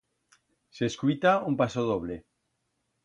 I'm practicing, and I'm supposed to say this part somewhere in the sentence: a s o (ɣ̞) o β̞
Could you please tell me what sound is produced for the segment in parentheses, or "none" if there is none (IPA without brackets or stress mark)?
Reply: ð̞